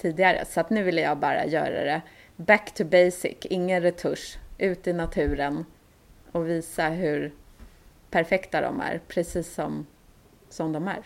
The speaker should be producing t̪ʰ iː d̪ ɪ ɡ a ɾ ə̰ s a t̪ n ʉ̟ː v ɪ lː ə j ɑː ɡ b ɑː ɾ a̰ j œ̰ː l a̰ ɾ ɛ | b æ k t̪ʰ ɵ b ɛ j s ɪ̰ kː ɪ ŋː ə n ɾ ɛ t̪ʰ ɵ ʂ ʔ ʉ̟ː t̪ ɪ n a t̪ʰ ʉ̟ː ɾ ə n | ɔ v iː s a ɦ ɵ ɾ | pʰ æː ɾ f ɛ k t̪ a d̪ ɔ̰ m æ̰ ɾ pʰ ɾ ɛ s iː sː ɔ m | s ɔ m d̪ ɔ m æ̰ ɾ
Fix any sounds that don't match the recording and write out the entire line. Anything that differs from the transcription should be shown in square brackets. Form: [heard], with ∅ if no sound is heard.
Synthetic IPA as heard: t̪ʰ iː d̪ ɪ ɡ a ɾ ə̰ s a t̪ n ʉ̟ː v ɪ lː ə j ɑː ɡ b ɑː ɾ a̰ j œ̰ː [ɾ] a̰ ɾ ɛ | b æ k t̪ʰ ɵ b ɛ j s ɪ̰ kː ɪ ŋː ə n ɾ ɛ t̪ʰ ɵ ʂ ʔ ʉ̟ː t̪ ɪ n a t̪ʰ ʉ̟ː ɾ ə n | ɔ v iː s a ɦ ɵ ɾ | pʰ [æ] ɾ f ɛ k t̪ a d̪ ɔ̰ m æ̰ ɾ pʰ ɾ ɛ s iː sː ɔ m | s ɔ m d̪ ɔ m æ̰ ɾ